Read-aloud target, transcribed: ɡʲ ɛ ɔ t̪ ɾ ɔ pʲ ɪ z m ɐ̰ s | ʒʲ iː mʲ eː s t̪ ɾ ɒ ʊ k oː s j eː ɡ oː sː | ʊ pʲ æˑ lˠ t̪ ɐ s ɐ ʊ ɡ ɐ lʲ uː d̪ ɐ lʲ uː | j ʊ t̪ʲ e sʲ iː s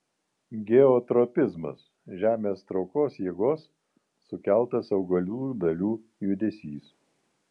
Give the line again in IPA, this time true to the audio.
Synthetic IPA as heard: ɡʲ ɛ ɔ t̪ ɾ ɔ pʲ ɪ z m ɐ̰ s | ʒʲ æː mʲ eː s t̪ ɾ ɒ ʊ k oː s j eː ɡ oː sː | ʊ kʲ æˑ lˠ t̪ ɐ s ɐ ʊ ɡ ɐ lʲ uː d̪ ɐ lʲ uː | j ʊ d̪ʲ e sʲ iː s

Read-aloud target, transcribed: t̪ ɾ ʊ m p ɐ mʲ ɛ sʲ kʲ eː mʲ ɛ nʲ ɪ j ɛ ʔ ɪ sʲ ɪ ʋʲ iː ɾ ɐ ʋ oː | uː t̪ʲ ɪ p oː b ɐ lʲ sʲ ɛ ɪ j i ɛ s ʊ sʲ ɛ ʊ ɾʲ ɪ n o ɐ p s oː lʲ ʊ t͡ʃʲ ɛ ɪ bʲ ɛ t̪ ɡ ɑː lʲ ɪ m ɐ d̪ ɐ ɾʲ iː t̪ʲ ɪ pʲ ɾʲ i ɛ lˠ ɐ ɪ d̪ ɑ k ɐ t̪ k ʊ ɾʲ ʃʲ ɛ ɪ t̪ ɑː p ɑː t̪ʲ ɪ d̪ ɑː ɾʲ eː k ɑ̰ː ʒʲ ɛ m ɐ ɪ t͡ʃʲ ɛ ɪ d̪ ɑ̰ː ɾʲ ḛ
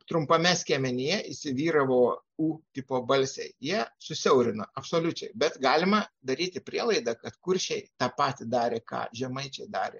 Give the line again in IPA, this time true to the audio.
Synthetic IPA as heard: t̪ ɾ ʊ m p ɐ mʲ ɛ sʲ kʲ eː mʲ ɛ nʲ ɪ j ɛ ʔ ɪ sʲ ɪ ʋʲ iː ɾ ɐ ʋ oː | uː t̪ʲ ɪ p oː b ɐ lʲ sʲ ɛ ɪ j i ɛ s ʊ sʲ ɛ ʊ ɾʲ ɪ n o ɐ p s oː lʲ ʊ t͡ʃʲ ɛ ɪ bʲ ɛ t̪ ɡ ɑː lʲ ɪ m ɐ d̪ ɐ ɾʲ iː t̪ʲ ɪ pʲ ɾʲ i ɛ lˠ ɐ ɪ d̪ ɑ k ɐ t̪ k ʊ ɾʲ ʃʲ ɛ ɪ t̪ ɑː p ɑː t̪ʲ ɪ d̪ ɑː ɾʲ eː k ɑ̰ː ʒʲ ɛ m ɐ ɪ t͡ʃʲ ɛ ɪ d̪ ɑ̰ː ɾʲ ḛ

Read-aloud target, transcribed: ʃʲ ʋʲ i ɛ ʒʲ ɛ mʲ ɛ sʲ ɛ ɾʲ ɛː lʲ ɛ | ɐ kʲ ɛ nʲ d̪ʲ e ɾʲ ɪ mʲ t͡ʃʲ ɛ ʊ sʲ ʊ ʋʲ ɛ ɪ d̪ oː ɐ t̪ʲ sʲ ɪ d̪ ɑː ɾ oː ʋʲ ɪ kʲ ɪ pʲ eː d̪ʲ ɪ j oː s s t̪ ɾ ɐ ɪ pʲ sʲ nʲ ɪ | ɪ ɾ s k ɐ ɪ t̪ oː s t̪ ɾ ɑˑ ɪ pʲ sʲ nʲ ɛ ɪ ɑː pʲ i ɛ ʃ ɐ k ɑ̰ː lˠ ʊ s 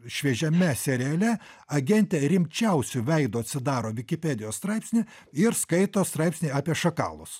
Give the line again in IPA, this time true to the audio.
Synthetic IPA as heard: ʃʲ ʋʲ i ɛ ʒʲ ɛ mʲ ɛ sʲ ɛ ɾʲ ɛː lʲ ɛ | ɐ ɡʲ ɛ nʲ t̪ʲ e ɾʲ ɪ mʲ t͡ʃʲ ɛ ʊ sʲ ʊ ʋʲ ɛ ɪ d̪ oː ɐ t̪ʲ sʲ ɪ d̪ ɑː ɾ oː ʋʲ ɪ kʲ ɪ pʲ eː d̪ʲ ɪ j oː s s t̪ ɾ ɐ ɪ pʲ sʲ nʲ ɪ | ɪ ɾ s k ɐ ɪ t̪ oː s t̪ ɾ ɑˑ ɪ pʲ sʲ nʲ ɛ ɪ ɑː pʲ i ɛ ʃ ɐ k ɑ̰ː lˠ ʊ s

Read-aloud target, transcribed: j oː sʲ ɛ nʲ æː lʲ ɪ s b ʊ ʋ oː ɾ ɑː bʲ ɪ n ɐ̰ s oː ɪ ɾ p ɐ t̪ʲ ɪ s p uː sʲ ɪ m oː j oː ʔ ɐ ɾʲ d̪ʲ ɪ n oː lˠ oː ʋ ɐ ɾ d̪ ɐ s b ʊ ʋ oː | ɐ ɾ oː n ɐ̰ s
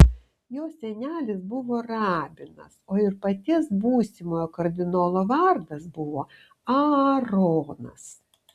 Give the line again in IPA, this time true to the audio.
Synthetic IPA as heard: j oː sʲ ɛ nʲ æː lʲ ɪ s b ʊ ʋ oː ɾ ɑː bʲ ɪ n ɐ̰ s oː ɪ ɾ p ɐ t̪ʲ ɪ s b uː sʲ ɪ m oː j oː k ɐ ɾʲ d̪ʲ ɪ n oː lˠ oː ʋ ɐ ɾ d̪ ɐ s b ʊ ʋ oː | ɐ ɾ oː n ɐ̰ s

